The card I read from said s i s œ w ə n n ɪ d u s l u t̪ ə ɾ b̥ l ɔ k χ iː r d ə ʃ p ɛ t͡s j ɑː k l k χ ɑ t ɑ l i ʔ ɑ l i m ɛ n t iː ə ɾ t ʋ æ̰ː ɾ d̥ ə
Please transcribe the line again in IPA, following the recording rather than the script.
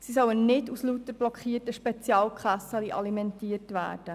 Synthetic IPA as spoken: s i s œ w ə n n ɪ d u s l u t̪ ə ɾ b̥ l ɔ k χ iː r t ə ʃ p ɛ t͡s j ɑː l k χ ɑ s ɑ l i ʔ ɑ l i m ɛ n t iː ə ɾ t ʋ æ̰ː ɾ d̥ ə